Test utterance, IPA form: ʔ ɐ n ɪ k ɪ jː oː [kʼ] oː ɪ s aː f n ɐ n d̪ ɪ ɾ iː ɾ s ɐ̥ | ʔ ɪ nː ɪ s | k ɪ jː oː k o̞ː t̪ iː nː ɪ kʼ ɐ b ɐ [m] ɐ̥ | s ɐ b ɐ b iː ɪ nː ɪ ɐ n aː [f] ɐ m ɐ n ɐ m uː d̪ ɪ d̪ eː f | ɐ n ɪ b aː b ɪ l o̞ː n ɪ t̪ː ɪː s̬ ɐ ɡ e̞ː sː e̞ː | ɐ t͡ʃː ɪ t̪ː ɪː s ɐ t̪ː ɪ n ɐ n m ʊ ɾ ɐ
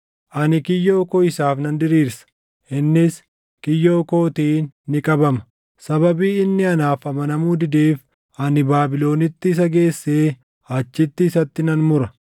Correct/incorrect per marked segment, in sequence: incorrect: k, correct, correct

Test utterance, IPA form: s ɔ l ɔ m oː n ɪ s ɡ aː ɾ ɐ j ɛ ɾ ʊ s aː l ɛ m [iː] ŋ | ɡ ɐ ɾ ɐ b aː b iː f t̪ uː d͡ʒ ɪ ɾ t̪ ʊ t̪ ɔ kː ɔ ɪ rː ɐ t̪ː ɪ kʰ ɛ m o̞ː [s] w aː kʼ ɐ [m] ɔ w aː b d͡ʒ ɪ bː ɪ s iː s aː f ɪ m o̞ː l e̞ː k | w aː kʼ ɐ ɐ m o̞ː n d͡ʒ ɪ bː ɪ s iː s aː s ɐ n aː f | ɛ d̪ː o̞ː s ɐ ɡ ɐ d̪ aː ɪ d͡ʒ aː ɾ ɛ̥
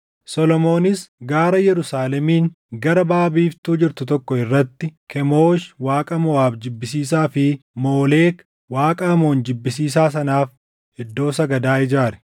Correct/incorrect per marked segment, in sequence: correct, incorrect: ʃ, correct

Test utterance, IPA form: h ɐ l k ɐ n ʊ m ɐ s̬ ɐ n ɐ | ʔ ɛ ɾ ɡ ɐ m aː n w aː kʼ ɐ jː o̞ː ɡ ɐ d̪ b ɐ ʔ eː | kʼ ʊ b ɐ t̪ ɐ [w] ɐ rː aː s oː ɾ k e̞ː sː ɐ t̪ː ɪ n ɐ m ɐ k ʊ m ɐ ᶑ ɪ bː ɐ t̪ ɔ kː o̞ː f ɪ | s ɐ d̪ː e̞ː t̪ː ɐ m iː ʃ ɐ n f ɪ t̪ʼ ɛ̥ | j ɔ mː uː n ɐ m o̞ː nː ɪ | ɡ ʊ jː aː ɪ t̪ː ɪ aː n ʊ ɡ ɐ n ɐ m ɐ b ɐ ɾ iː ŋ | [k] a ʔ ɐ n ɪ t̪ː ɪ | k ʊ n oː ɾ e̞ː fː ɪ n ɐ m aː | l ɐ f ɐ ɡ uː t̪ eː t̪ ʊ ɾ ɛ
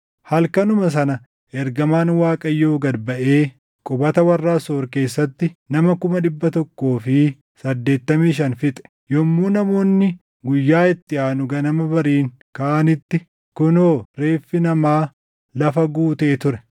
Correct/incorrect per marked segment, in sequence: correct, correct

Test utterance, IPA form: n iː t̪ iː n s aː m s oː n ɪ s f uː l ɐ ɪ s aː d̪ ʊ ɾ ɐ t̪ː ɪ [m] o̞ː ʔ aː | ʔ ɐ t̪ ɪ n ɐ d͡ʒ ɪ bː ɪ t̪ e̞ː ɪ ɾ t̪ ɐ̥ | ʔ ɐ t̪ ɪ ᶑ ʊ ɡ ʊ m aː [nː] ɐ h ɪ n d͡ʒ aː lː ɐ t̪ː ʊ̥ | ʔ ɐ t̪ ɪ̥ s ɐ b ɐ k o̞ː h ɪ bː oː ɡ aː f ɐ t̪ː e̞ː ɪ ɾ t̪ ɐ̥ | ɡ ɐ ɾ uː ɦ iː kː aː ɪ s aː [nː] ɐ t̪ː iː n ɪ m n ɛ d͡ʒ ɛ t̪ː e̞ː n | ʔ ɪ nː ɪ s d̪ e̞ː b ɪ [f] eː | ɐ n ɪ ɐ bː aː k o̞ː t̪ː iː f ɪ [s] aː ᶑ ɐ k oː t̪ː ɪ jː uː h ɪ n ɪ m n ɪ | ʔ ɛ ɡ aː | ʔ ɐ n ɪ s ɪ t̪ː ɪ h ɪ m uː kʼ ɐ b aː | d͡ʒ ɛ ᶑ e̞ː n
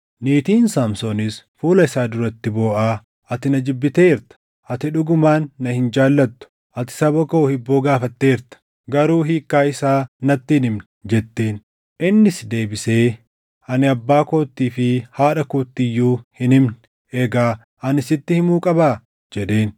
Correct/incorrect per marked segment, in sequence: incorrect: b, correct, incorrect: n, incorrect: s, incorrect: h

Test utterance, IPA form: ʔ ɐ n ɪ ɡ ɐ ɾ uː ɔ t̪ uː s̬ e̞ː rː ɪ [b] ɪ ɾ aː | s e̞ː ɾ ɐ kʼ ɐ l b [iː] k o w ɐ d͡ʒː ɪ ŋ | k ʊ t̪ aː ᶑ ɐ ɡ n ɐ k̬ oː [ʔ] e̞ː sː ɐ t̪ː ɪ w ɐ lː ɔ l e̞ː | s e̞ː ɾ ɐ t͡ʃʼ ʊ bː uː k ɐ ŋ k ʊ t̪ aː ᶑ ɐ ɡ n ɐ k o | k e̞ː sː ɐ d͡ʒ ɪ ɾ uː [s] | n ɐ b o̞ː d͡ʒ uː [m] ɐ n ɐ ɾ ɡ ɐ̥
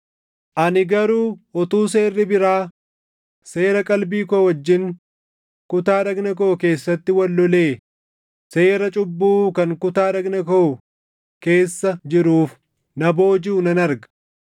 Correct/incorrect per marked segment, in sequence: correct, correct, incorrect: k, incorrect: f, incorrect: n

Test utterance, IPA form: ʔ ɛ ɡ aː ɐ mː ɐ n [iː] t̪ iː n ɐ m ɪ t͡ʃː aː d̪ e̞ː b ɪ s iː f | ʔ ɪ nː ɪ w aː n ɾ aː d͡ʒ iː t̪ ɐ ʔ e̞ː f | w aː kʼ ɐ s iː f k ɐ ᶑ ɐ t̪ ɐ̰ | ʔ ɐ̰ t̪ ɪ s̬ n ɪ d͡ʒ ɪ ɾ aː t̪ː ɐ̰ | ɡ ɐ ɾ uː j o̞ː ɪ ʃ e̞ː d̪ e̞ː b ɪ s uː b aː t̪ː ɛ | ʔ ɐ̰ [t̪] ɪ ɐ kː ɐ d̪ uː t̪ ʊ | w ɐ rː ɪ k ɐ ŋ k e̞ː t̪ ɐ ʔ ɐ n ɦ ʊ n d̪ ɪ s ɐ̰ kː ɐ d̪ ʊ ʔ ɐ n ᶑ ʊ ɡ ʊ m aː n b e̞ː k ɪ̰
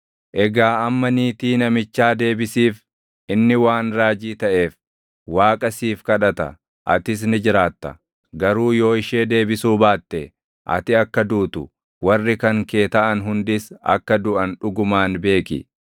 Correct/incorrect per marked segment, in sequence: correct, correct

